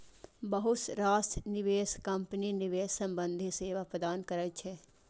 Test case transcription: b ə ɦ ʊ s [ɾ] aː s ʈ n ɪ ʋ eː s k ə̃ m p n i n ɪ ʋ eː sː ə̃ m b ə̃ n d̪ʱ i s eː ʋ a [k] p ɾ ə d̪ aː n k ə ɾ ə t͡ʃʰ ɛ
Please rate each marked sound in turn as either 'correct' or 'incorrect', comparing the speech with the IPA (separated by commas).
correct, incorrect